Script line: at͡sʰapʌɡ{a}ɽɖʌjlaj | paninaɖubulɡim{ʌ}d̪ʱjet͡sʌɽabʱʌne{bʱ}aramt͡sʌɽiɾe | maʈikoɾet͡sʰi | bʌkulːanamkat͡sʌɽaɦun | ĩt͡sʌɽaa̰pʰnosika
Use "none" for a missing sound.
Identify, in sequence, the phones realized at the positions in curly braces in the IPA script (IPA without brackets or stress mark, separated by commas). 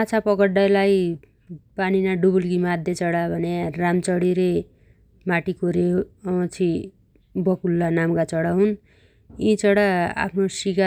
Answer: ʌ, a, none